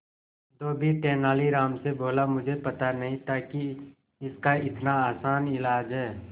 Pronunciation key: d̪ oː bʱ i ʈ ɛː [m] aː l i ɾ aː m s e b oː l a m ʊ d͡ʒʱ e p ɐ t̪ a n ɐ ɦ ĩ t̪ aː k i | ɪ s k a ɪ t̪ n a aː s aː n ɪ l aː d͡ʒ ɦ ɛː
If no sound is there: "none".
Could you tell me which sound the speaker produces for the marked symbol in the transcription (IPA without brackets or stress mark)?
n